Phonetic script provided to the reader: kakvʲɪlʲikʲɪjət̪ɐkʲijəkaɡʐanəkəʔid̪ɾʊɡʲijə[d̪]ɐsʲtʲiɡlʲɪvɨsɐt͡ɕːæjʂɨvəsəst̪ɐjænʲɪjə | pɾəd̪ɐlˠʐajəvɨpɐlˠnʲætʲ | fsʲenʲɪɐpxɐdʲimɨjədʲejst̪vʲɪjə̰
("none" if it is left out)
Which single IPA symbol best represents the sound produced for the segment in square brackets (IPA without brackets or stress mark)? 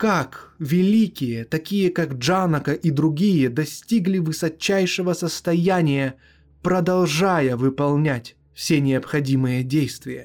d̪